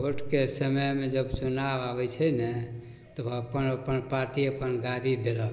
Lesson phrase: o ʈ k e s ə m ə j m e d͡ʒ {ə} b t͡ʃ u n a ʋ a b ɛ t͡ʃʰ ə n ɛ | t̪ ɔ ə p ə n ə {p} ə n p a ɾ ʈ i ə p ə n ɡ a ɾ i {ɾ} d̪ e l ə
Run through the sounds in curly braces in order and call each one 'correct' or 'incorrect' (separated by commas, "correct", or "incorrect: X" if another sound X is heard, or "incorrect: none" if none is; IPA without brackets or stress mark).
correct, correct, incorrect: none